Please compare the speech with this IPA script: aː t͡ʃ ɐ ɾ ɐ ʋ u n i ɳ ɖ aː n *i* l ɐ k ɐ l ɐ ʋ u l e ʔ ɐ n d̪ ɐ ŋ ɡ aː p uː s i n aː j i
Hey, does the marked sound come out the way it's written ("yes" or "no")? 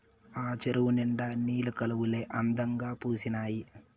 no